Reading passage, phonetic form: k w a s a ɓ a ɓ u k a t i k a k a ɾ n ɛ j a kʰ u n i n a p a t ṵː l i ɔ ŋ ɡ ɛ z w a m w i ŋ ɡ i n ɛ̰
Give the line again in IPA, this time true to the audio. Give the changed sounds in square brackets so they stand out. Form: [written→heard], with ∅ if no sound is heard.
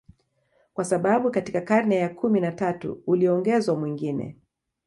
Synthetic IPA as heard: k w a s a ɓ a ɓ u k a t i k a k a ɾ n ɛ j a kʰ u [n→m] i n a [p→t] a t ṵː l i ɔ ŋ ɡ ɛ z w a m w i ŋ ɡ i n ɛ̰

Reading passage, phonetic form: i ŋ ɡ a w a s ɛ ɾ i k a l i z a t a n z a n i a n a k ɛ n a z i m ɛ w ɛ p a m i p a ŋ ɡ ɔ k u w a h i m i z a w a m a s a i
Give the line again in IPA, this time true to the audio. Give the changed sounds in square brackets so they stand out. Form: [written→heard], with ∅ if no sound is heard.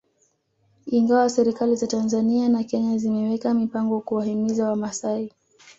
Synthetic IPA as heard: i ŋ ɡ a w a s ɛ ɾ i k a l i z a t a n z a n i a n a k ɛ [n→ɲ] a z i m ɛ w ɛ [p→k] a m i p a ŋ ɡ ɔ k u w a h i m i z a w a m a s a i

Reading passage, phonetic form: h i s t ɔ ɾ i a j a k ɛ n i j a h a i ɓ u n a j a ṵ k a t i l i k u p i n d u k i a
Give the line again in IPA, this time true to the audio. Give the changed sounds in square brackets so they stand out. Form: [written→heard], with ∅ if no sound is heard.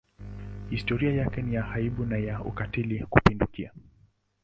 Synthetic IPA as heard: h i s t ɔ ɾ i a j a k ɛ n i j a h a i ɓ u n a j a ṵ k a t i l i k u p i n d u k i a

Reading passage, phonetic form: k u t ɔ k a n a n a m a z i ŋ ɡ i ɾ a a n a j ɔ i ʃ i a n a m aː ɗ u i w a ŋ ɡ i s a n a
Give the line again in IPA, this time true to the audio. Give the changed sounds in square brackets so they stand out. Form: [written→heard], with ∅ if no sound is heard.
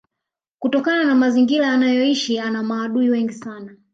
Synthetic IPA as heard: k u t ɔ k a n a n a m a z i ŋ ɡ i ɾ a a n a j ɔ i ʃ i a n a m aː ɗ u i w [a→ɛ] ŋ ɡ i s a n a

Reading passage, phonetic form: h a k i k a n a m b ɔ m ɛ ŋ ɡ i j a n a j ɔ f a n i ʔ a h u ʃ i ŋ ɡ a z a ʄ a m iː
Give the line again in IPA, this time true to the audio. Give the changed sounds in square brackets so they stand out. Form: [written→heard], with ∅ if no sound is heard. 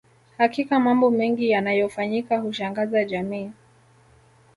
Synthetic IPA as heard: h a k i k a [n→m] a m b ɔ m ɛ ŋ ɡ i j a n a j ɔ f a [n→ɲ] i [ʔ→k] a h u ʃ [i→a] ŋ ɡ a z a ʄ a m iː

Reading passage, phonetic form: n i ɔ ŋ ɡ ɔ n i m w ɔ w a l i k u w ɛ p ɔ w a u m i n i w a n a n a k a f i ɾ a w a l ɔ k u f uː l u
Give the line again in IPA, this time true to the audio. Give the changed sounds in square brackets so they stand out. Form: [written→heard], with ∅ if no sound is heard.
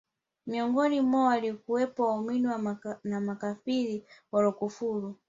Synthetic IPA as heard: [n→m] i ɔ ŋ ɡ ɔ n i m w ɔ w a l i k u w ɛ p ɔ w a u m i n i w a n a [n→m] a k a f i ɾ [a→i] w a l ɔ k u f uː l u

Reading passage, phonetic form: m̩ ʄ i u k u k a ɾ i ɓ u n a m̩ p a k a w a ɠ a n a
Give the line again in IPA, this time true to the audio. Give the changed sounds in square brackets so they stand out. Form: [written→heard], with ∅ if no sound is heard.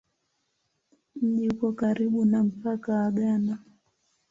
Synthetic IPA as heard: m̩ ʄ i u k [u→ɔ] k a ɾ i ɓ u n a m̩ p a k a w a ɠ a n a

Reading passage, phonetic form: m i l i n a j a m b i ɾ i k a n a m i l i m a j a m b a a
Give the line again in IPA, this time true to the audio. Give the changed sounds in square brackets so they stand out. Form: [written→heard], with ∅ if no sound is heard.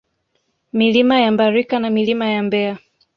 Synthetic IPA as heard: m i l i [n→m] a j a m b [i→a] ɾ i k a n a m i l i m a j a m b [a→ɛ] a

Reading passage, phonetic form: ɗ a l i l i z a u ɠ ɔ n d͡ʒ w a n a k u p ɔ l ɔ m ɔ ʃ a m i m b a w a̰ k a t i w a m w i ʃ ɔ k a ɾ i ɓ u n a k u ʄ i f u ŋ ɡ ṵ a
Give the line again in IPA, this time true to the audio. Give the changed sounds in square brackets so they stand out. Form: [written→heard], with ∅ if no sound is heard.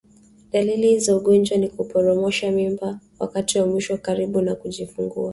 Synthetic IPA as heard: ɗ a l i l i z a u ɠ ɔ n d͡ʒ w a n [a→i] k u p ɔ [l→ɾ] ɔ m ɔ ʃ a m i m b a w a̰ k a t i w a m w i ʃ ɔ k a ɾ i ɓ u n a k u ʄ i f u ŋ ɡ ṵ a

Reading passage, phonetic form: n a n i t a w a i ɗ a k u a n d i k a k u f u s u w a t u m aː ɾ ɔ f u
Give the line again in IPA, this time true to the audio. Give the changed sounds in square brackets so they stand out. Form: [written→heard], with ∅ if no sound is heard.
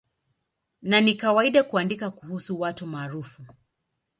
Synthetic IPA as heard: n a n i [t→k] a w a i ɗ a k u a n d i k a k u [f→h] u s u w a t u m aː ɾ [ɔ→u] f u

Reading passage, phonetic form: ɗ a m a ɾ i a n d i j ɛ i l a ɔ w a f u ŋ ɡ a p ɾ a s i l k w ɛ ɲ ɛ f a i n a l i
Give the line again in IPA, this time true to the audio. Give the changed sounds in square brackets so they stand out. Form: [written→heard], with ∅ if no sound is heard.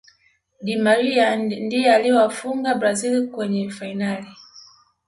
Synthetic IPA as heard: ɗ [a→i] m a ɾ i a n d i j ɛ [i→a] l [a→i] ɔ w a f u ŋ ɡ a [p→b] ɾ a [s→z] i l k w ɛ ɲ ɛ f a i n a l i

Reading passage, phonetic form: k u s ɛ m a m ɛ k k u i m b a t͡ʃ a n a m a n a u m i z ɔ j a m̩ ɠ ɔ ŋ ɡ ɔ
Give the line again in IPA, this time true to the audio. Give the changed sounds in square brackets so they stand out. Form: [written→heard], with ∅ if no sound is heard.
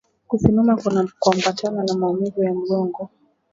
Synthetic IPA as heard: k u s [ɛ→i] m a m [ɛ→a] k k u [i→a] m b a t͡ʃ a n a [m→n] a [n→m] a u m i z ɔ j a m̩ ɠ ɔ ŋ ɡ ɔ

